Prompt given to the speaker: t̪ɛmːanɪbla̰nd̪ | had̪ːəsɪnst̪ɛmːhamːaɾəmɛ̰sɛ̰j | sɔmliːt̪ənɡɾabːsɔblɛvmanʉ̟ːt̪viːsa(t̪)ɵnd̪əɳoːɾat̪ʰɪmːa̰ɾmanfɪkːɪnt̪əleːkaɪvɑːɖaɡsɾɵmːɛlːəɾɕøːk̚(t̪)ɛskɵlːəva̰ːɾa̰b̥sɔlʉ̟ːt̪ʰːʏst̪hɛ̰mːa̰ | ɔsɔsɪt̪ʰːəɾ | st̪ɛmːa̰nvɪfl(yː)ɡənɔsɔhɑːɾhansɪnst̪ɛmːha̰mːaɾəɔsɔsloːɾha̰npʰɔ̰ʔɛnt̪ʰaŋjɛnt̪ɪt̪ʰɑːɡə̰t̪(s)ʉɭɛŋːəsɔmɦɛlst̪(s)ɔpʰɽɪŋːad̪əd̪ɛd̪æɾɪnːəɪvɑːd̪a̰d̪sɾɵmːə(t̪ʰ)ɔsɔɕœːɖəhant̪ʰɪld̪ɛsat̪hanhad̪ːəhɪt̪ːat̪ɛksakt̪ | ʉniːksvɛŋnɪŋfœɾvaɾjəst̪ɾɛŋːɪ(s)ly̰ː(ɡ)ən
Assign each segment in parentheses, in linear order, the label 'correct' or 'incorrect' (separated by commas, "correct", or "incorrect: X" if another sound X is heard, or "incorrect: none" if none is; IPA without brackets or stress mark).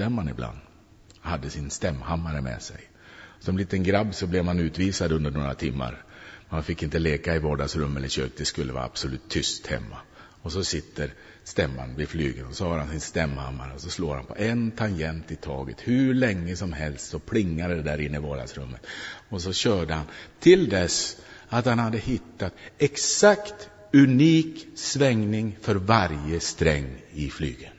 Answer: incorrect: d̪, incorrect: d̪, correct, incorrect: h, correct, incorrect: t̪, incorrect: f, correct